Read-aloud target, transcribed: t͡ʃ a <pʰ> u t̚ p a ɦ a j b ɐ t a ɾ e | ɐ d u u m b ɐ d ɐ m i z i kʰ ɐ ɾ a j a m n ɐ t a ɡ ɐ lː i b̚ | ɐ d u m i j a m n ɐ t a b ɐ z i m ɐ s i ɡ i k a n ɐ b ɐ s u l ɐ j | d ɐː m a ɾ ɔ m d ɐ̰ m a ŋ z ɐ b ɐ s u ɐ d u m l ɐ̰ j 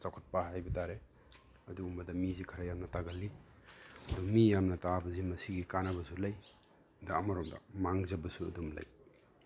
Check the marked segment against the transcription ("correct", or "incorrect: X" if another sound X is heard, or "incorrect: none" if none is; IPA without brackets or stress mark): incorrect: kʰ